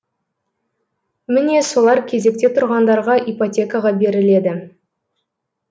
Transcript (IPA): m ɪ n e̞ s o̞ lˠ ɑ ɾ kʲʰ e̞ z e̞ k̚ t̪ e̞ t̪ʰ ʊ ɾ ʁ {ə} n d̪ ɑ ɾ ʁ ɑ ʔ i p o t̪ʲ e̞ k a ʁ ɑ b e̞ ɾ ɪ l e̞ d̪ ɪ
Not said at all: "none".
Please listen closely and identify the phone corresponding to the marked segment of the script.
ɑ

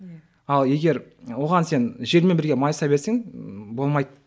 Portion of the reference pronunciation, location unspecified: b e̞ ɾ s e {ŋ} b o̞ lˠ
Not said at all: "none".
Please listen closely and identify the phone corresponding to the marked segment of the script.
ŋ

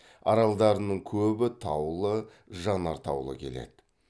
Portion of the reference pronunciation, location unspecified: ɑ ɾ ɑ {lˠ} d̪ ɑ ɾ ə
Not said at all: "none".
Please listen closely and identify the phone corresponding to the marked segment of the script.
lˠ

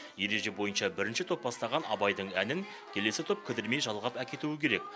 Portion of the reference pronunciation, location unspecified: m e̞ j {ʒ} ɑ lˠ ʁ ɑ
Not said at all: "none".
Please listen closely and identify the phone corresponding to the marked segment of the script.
ʒ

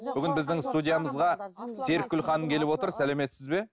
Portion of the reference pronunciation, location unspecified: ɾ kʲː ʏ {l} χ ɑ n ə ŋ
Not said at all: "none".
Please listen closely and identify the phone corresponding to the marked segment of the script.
l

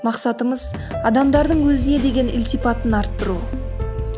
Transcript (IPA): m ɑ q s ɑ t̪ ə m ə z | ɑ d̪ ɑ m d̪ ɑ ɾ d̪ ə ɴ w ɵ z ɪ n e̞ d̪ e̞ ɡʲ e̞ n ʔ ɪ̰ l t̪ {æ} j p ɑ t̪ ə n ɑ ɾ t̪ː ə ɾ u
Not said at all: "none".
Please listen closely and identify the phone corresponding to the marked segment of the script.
i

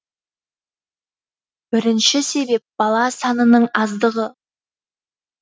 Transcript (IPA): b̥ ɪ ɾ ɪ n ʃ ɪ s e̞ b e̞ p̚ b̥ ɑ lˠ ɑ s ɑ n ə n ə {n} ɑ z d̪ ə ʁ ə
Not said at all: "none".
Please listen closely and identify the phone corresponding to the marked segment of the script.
ɴ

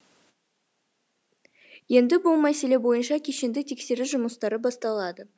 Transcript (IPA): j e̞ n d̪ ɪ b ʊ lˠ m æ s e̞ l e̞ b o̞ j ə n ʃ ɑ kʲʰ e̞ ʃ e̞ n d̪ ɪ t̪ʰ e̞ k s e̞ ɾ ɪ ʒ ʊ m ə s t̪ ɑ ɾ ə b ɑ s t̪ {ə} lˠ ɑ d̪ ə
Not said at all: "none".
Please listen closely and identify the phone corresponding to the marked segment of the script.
ɑ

